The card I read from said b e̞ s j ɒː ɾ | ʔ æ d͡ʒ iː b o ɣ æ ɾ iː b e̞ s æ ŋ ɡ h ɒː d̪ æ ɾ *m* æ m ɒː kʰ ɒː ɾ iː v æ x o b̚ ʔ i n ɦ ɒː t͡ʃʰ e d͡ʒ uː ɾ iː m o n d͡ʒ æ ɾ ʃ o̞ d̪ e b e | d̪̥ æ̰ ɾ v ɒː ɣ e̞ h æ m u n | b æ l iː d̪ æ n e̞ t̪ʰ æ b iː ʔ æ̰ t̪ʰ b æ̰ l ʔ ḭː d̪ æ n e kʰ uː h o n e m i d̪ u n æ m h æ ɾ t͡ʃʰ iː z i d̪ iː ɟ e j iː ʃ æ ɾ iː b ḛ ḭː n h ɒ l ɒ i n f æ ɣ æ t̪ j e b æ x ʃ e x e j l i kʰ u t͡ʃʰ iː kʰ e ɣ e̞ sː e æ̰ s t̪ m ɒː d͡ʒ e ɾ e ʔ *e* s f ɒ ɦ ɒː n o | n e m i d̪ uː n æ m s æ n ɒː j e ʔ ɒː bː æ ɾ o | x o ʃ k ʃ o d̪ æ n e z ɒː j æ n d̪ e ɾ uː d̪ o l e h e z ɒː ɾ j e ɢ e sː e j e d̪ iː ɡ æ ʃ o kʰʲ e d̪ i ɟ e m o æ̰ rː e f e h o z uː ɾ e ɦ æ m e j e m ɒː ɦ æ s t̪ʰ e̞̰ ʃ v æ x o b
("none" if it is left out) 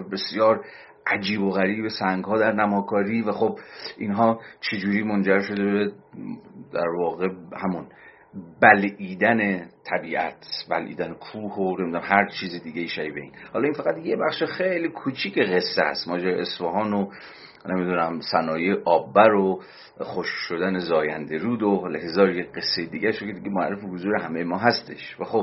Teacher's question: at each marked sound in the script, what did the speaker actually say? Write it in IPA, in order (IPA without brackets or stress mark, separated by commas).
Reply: n, e